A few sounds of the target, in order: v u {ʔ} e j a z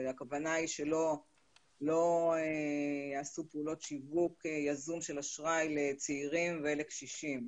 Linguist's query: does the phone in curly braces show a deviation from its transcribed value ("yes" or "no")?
yes